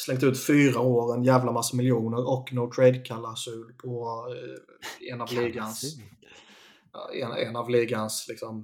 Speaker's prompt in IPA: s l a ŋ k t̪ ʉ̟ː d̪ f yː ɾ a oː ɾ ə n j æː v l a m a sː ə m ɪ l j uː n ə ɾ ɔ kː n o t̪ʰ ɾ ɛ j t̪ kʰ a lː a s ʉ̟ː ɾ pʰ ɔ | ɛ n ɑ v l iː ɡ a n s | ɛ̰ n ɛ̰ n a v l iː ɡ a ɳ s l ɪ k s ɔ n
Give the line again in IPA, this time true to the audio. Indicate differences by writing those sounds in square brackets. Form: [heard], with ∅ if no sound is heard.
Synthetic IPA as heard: s l [ɛ] ŋ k t̪ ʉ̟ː [t̪] f yː ɾ a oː ɾ ə n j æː v l a m a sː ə m ɪ l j uː n ə ɾ ɔ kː n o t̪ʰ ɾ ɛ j [d̪] kʰ a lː a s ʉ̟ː [l] pʰ ɔ | ɛ n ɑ v l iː ɡ a n s | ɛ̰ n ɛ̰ n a v l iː ɡ a [n] s l ɪ k s ɔ [m]